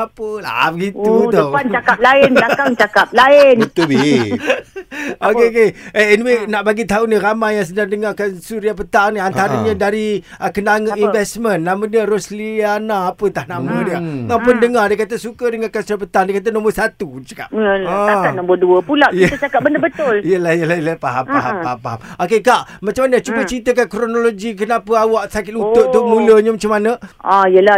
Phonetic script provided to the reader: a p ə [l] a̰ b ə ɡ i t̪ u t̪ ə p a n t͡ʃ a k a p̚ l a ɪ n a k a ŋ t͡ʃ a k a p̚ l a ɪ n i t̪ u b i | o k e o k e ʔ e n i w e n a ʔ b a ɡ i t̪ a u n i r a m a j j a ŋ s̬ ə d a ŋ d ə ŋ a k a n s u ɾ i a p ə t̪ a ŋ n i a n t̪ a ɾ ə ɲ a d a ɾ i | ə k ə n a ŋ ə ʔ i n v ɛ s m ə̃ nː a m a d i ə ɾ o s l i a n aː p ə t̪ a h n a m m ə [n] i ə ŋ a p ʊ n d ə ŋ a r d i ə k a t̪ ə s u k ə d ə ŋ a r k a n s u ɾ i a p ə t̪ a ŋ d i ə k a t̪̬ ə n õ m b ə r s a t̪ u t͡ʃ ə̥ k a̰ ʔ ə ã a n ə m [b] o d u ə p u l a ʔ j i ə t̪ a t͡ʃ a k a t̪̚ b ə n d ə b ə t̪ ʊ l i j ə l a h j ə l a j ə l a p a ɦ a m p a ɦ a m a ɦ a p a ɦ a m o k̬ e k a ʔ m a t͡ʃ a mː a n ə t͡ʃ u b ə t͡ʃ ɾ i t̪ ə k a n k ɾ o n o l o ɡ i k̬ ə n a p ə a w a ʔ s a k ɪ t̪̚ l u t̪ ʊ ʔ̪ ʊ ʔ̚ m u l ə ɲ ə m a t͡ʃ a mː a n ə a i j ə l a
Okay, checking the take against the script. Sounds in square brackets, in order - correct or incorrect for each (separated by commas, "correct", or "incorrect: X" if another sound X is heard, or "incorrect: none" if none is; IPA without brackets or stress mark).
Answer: correct, incorrect: d, correct